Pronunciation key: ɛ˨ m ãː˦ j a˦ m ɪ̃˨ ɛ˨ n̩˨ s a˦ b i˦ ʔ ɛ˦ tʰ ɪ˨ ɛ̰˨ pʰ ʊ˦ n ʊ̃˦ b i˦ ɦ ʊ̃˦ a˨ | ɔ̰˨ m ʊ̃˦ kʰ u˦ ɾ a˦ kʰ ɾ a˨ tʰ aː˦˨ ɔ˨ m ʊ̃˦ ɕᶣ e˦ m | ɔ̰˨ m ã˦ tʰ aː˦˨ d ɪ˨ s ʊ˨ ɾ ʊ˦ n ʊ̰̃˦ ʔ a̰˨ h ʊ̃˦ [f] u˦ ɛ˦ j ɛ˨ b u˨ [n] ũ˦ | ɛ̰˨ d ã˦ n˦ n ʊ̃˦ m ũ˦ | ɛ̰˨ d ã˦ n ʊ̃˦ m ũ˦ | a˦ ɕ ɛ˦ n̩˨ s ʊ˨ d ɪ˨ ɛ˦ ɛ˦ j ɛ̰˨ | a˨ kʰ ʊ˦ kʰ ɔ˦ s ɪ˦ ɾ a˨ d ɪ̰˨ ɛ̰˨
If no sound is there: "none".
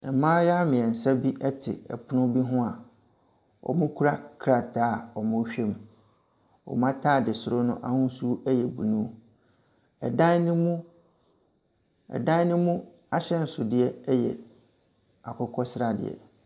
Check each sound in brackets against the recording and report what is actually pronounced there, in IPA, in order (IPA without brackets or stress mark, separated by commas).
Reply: s, n